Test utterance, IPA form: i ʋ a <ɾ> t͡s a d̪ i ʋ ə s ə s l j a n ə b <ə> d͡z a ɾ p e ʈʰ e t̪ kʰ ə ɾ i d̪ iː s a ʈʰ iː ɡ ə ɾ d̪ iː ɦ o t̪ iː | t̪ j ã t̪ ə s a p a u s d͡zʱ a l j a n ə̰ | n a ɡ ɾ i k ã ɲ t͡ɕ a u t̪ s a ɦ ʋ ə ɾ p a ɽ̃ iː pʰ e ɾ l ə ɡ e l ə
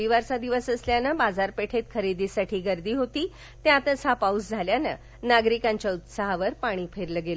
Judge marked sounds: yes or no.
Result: yes, no

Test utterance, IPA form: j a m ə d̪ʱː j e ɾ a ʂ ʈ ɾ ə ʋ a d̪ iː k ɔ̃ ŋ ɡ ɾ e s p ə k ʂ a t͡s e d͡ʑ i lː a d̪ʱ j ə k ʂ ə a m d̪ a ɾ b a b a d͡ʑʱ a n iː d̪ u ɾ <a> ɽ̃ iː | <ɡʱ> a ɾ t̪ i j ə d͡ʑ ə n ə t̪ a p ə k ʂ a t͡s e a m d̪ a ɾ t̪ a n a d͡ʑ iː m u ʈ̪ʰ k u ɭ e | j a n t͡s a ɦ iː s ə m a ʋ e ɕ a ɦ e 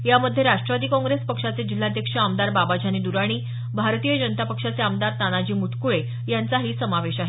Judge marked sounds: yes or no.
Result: yes, no

